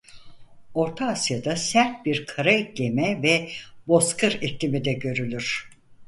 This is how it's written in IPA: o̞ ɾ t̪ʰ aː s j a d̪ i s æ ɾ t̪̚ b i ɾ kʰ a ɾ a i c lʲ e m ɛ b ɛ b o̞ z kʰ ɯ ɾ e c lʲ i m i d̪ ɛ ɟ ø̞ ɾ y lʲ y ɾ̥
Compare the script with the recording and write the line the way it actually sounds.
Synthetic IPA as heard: o̞ ɾ t̪ʰ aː s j a d̪ a s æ ɾ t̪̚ b i ɾ kʰ a ɾ a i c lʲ e m ɛ v ɛ b o̞ s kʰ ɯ ɾ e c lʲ i m i d̪ ɛ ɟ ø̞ ɾ y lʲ y ɾ̥